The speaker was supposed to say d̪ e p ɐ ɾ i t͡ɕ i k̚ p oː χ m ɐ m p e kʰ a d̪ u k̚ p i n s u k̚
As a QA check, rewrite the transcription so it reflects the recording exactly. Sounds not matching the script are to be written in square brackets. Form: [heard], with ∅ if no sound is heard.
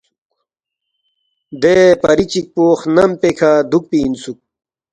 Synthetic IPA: d̪ e p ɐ ɾ i t͡ɕ i k̚ p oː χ [n] ɐ m p e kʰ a d̪ u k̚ p i n s u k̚